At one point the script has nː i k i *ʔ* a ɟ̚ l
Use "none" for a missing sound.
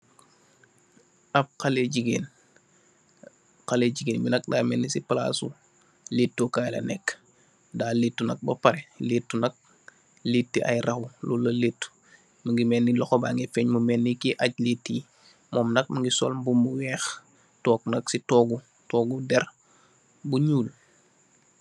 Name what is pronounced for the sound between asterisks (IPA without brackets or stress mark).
ʔ